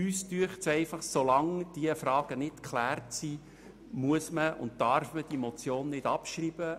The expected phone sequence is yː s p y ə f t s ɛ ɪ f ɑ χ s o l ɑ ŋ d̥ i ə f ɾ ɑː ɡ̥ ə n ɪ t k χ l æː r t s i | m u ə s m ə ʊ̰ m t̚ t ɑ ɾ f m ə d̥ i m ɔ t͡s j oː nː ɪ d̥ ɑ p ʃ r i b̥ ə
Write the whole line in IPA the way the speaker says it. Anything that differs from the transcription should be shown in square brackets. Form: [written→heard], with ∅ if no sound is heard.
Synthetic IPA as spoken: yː s [p→t] y ə [f→χ] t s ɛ ɪ f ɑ χ s o l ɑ ŋ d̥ i ə f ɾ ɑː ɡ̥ ə n ɪ t k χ l æː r t s i | m u ə s m ə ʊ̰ [m→n] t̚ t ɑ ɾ f m ə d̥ i m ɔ t͡s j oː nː ɪ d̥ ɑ p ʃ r i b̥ ə